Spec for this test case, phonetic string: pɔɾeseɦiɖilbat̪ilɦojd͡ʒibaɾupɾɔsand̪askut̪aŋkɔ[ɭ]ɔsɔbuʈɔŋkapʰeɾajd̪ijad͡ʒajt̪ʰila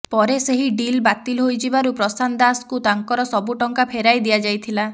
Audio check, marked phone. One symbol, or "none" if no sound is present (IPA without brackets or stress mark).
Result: ɾ